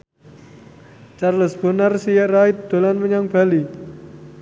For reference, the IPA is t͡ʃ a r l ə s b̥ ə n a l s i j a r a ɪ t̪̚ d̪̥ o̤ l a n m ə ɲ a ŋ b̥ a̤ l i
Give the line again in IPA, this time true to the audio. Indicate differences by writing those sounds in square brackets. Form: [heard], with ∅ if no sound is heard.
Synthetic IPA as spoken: t͡ʃ a r l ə s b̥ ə n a [r] s i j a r a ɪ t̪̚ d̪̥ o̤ l a n m ə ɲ a ŋ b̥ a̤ l i